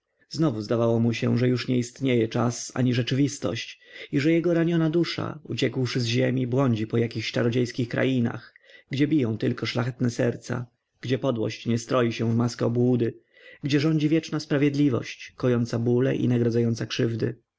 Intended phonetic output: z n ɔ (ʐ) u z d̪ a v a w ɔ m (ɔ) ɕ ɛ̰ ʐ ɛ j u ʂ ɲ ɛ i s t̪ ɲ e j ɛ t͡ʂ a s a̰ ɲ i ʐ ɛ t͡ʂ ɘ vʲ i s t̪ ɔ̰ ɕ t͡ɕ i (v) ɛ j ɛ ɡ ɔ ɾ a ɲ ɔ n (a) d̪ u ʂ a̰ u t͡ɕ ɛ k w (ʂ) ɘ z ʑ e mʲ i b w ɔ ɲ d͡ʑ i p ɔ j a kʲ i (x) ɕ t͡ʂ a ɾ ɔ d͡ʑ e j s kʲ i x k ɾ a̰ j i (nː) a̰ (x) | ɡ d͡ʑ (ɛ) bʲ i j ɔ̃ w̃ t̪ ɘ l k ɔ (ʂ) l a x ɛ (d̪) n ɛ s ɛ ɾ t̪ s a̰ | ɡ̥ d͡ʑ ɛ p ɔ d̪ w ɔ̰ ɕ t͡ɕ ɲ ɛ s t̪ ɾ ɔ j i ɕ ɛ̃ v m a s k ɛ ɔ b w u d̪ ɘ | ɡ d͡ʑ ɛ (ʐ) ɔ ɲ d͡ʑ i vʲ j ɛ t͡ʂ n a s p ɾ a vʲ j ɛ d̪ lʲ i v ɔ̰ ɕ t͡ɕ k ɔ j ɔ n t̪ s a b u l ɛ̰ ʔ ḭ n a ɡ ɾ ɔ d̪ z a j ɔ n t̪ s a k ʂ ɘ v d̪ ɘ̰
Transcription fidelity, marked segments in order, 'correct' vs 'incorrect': incorrect, incorrect, incorrect, correct, correct, correct, incorrect, correct, correct, correct, incorrect, correct

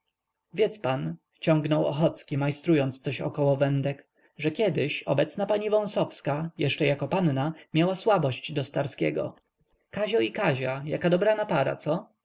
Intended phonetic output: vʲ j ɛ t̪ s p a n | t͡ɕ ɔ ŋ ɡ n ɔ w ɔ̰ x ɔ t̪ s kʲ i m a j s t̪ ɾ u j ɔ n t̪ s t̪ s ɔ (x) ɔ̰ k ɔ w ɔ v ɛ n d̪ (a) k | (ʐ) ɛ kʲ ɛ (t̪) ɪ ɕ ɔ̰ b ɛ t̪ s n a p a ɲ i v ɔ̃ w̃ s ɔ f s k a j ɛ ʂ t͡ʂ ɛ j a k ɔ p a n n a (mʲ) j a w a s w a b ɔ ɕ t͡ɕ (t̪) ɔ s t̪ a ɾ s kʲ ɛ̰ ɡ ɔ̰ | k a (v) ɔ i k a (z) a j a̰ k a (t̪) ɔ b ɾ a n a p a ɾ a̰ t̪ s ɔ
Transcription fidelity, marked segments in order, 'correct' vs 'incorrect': incorrect, incorrect, correct, incorrect, correct, incorrect, incorrect, incorrect, incorrect

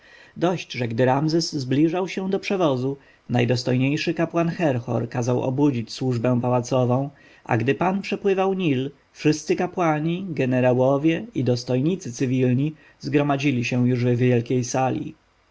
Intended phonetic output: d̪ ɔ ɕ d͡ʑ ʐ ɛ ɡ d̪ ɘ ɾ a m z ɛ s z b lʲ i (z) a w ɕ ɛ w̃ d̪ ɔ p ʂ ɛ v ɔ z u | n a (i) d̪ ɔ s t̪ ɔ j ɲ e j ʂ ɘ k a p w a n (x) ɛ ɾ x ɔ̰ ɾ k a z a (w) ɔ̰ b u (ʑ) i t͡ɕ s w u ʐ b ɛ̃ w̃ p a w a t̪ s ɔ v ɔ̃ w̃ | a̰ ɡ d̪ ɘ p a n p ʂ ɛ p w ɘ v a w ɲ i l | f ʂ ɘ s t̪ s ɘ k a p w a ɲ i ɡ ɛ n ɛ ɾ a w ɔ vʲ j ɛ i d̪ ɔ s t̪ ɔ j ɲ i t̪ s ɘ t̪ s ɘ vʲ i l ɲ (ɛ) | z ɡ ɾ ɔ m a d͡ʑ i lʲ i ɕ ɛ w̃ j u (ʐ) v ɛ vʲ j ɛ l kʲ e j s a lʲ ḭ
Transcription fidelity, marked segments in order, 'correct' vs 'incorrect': incorrect, incorrect, correct, correct, incorrect, incorrect, correct

